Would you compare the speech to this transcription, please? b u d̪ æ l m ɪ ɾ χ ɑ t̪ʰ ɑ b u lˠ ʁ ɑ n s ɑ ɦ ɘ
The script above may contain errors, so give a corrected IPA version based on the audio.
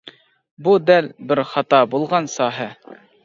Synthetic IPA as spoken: b u d̪ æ l b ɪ ɾ χ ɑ t̪ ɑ b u lˠ ʁ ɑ n s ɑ ɦ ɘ